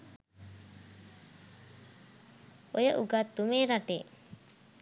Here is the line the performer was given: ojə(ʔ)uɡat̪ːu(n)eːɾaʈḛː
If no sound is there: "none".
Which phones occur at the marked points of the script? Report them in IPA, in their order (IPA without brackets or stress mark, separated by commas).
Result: ʔ, m